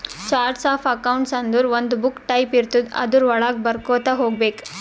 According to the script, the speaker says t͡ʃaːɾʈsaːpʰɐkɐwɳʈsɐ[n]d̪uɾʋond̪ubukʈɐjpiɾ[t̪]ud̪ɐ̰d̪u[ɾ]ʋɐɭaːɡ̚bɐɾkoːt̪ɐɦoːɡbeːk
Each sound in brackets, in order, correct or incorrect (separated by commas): correct, correct, correct